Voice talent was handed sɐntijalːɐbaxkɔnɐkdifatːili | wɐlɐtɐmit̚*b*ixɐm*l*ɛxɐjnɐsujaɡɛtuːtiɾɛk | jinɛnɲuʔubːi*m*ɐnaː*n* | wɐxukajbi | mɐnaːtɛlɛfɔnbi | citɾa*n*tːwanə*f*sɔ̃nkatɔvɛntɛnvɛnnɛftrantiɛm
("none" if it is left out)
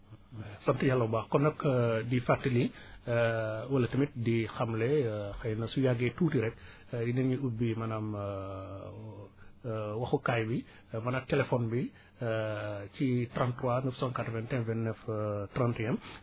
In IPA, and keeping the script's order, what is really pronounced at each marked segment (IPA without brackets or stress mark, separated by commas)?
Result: d, l, m, m, n, f